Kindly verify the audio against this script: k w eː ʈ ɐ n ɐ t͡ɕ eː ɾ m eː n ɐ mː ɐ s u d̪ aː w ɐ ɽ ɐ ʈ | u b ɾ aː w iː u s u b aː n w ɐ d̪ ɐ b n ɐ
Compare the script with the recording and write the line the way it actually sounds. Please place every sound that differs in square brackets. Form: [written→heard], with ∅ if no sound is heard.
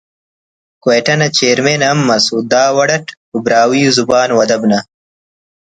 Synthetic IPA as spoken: k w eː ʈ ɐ n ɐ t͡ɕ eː ɾ m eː n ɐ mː ɐ s u d̪ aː w ɐ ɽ ɐ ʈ | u b ɾ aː w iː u [s→z] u b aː n w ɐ d̪ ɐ b n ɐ